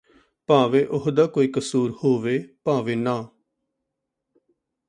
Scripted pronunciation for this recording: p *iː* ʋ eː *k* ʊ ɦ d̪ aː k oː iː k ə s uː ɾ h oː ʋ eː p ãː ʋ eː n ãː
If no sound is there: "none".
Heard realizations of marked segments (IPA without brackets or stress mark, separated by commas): aː, ʔ